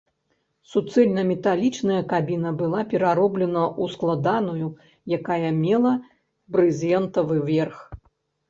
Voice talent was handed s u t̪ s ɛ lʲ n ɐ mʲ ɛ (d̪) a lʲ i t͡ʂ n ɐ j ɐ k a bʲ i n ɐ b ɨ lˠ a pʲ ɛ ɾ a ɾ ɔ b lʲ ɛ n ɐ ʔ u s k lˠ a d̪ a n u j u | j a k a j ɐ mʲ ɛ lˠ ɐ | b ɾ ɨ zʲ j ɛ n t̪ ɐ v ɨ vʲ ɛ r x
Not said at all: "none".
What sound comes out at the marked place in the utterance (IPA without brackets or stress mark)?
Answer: t̪